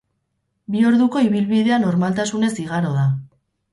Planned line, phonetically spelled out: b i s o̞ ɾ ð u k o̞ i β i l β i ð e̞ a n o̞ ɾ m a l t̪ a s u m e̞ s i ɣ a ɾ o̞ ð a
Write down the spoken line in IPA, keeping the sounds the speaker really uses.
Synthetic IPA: b i o̞ ɾ ð u k o̞ i β i l β i ð e̞ a n o̞ ɾ m a l t̪ a s u n e̞ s i ɣ a ɾ o̞ ð a